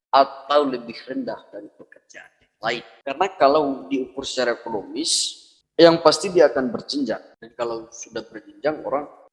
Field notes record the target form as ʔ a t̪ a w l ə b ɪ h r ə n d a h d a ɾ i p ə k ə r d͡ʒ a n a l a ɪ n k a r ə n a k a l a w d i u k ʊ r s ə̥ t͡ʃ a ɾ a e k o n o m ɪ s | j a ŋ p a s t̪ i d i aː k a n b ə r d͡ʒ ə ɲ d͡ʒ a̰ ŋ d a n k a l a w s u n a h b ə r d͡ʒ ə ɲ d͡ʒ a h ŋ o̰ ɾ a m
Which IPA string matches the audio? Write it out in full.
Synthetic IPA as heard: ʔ a t̪ a w l ə b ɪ h r ə n d a h d a ɾ i p ə k ə r d͡ʒ a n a l a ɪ n k a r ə n a k a l a w d i u k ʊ r s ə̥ t͡ʃ a ɾ a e k o n o m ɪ s | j a ŋ p a s t̪ i d i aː k a n b ə r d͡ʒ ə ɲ d͡ʒ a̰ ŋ d a n k a l a w s u d a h b ə r d͡ʒ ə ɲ d͡ʒ a ŋ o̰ ɾ a ŋ